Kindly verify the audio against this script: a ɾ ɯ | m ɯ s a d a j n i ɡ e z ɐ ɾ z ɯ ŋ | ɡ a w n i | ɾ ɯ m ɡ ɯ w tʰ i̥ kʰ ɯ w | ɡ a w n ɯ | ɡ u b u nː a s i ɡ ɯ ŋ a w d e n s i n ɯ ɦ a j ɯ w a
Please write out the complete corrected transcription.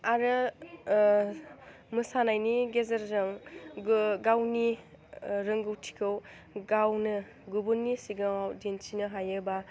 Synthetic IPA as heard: a ɾ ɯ | m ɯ s a n a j n i ɡ e z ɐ ɾ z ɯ ŋ | ɡ a w n i | ɾ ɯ ŋ ɡ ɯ w tʰ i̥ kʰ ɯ w | ɡ a w n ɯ | ɡ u b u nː i s i ɡ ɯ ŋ a w d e n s i n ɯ ɦ a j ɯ b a